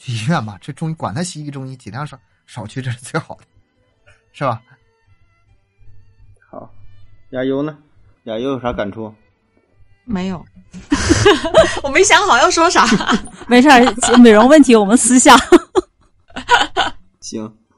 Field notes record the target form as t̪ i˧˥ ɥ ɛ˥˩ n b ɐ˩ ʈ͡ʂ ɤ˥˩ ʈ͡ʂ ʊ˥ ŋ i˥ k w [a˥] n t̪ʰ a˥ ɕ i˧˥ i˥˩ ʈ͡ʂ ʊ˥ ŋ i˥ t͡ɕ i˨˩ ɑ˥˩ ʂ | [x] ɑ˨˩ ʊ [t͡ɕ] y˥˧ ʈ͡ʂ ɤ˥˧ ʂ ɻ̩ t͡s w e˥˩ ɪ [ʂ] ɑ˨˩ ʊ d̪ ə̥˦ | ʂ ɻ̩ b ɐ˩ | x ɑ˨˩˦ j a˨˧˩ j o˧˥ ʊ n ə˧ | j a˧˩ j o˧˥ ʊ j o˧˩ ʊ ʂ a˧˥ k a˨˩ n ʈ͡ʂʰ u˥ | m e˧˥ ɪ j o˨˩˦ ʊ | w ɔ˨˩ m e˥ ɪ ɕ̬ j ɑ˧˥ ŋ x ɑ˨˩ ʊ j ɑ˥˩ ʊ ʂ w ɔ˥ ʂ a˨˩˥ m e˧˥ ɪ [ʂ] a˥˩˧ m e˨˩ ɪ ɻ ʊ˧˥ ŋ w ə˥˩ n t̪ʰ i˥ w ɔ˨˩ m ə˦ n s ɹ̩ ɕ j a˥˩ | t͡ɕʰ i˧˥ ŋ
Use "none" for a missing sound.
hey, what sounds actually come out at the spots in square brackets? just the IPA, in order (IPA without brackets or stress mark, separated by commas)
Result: a˨˩, ʂ, t͡ɕʰ, x, ʂ